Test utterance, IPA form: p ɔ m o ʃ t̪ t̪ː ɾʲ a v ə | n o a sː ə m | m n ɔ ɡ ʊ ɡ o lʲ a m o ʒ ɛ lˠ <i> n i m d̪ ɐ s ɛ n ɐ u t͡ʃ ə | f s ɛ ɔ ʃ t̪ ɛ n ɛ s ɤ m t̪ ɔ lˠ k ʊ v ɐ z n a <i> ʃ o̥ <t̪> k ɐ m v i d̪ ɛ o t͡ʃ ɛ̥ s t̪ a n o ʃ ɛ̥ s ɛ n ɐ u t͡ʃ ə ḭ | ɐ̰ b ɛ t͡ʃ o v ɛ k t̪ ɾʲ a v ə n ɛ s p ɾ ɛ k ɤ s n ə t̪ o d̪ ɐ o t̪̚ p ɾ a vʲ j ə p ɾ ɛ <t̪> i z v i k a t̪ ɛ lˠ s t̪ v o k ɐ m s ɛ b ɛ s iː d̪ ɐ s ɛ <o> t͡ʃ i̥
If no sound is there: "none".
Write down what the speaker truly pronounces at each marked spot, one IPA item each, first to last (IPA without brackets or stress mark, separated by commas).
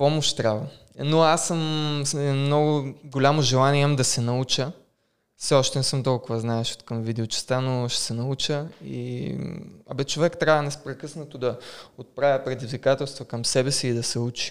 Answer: a, ɛ, t̪, d̪, u